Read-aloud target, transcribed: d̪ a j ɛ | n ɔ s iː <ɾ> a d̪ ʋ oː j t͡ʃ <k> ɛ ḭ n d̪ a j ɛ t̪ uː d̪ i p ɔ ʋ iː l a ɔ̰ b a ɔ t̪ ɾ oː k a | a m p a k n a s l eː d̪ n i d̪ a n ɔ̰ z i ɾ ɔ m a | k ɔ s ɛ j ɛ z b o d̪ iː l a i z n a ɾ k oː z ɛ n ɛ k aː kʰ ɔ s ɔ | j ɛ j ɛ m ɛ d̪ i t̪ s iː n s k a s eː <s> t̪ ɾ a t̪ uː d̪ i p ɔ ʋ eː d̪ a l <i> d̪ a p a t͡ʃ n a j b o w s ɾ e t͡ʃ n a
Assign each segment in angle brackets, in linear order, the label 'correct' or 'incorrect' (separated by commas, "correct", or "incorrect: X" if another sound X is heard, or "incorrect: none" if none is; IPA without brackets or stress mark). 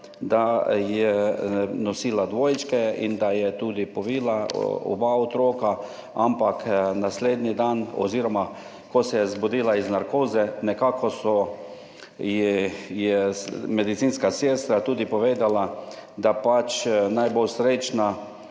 incorrect: l, correct, correct, incorrect: a